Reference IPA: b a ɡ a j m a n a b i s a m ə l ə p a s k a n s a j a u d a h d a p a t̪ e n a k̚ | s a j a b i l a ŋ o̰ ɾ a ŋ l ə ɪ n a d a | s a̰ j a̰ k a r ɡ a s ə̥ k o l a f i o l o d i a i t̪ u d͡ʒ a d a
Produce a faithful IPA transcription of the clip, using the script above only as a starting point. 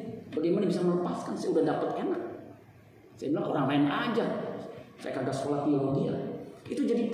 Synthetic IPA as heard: b a ɡ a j m a n a b i s a m ə l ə p a s k a n s a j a u d a h d a p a t̪ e n a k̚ | s a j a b i l a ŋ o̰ ɾ a ŋ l a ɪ n a d͡ʒ a | s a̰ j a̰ k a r ɡ a s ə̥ k o l a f i o l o ɡ i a i t̪ u d͡ʒ a d i